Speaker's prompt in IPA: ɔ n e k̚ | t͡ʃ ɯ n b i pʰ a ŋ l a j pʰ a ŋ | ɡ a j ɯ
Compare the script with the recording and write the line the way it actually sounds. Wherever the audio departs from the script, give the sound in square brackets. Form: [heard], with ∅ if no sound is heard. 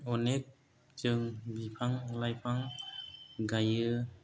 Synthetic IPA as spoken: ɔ n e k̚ | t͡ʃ ɯ [ŋ] b i pʰ a ŋ l a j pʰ a ŋ | ɡ a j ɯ